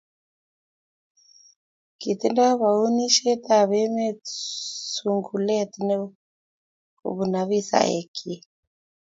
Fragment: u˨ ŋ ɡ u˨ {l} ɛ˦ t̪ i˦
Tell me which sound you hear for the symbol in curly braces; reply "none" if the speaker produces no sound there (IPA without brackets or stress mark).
l